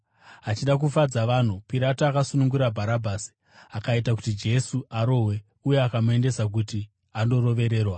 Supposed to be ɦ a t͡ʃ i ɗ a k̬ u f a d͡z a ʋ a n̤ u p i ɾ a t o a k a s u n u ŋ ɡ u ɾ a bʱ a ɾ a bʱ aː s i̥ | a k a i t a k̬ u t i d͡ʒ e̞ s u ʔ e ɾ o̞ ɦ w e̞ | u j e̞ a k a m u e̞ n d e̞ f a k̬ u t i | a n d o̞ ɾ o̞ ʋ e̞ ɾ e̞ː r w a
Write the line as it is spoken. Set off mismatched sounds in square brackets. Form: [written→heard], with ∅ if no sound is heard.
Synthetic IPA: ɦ a t͡ʃ i ɗ a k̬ u f a d͡z a ʋ a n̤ u p i ɾ a t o a k a s u n u ŋ ɡ u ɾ a bʱ a ɾ a bʱ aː s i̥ | a k a i t a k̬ u t i d͡ʒ e̞ s u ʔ [e→a] ɾ o̞ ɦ w e̞ | u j e̞ a k a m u e̞ n d e̞ [f→s] a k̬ u t i | a n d o̞ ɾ o̞ ʋ e̞ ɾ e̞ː r w a